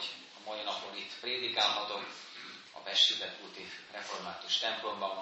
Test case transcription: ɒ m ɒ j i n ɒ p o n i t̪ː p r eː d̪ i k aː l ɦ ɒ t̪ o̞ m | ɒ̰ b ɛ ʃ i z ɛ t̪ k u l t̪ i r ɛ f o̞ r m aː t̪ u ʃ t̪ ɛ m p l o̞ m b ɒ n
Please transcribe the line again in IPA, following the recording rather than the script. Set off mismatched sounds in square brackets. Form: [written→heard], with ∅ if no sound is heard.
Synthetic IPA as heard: ɒ m ɒ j i n ɒ p o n i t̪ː p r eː d̪ i k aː l ɦ ɒ t̪ o̞ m | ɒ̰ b ɛ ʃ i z ɛ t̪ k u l t̪ i r ɛ f o̞ r m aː t̪ u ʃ t̪ ɛ m p l o̞ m b ɒ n